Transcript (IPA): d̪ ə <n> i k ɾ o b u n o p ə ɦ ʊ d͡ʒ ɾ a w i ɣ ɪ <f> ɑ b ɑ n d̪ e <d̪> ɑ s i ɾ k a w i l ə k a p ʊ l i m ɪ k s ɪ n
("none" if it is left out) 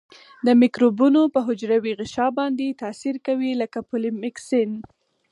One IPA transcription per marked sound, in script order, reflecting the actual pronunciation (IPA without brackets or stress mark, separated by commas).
m, ʃ, t̪